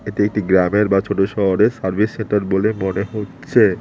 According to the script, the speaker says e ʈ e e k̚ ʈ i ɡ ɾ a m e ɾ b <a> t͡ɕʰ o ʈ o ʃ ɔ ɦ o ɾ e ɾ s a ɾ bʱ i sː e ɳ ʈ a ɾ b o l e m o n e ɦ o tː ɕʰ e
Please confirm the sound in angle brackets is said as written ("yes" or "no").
yes